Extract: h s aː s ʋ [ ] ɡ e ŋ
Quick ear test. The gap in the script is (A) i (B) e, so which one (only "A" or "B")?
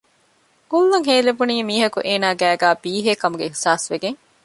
B